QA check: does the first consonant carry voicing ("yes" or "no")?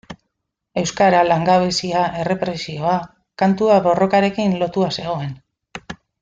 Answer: yes